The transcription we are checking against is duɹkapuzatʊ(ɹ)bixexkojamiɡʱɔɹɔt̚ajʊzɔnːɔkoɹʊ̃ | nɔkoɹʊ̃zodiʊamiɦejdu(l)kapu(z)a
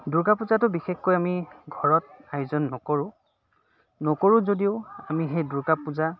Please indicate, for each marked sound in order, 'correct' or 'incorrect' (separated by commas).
incorrect, incorrect, correct